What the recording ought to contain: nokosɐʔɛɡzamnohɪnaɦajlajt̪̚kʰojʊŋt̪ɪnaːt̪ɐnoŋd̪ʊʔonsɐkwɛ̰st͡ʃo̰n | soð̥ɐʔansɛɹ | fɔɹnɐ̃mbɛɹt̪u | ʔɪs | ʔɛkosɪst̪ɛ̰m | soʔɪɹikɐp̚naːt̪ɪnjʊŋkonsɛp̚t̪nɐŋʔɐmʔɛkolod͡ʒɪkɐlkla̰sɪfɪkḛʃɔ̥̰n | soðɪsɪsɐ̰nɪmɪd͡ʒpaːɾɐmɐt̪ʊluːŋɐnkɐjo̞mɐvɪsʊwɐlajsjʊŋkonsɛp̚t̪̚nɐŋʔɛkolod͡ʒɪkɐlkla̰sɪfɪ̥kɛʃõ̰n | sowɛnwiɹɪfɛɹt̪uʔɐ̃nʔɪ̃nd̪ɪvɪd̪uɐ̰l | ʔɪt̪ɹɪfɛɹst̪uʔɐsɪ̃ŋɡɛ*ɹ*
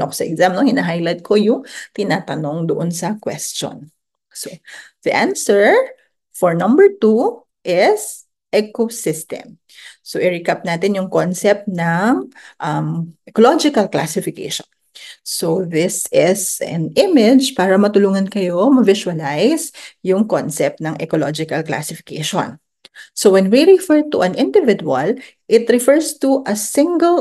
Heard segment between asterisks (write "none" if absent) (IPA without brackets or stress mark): l